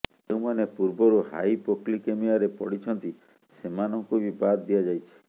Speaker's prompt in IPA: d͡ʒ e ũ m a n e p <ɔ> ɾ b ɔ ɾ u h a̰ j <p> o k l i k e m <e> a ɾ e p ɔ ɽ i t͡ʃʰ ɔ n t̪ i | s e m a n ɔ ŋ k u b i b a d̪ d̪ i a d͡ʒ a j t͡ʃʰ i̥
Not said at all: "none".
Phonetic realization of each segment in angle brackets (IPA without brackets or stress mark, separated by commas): u, p, i